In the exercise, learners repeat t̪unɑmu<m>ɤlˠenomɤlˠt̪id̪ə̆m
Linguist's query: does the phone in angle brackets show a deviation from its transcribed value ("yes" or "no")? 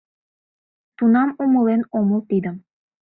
no